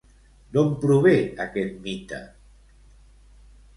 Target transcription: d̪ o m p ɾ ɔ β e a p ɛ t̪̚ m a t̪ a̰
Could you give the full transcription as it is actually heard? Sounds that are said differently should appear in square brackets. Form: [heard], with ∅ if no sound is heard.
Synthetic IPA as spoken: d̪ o m p ɾ [u] β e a [k] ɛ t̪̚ m [i] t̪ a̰